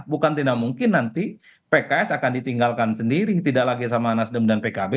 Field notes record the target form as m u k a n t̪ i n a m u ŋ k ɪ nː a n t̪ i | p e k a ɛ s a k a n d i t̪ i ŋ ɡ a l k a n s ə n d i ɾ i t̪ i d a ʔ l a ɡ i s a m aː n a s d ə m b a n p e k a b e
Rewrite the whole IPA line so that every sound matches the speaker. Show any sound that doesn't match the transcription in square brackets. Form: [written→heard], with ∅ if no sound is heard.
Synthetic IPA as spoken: [m→b] u k a n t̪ i n a m u ŋ k ɪ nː a n t̪ i | p e k a ɛ s a k a n d i t̪ i ŋ ɡ a l k a n s ə n d i ɾ i t̪ i d a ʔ l a ɡ i s a m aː n a s d ə m [b→d] a n p e k a b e